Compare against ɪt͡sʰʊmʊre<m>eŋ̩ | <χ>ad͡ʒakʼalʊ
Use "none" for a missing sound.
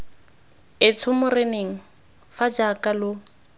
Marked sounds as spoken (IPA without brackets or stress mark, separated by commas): n, f